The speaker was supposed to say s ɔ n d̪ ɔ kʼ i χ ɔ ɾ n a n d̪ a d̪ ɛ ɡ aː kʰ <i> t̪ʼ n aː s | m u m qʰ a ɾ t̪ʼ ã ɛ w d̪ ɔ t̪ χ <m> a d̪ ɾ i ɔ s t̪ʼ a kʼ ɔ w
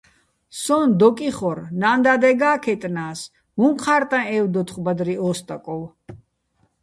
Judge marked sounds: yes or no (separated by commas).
no, no